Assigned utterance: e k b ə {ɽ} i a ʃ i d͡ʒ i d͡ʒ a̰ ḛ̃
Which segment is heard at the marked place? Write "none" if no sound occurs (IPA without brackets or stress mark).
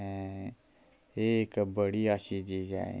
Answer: ɽ